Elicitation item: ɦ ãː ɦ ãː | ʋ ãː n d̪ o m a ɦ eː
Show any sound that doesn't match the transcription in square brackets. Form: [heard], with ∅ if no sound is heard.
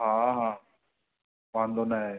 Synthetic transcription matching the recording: ɦ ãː ɦ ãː | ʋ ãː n d̪ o [n] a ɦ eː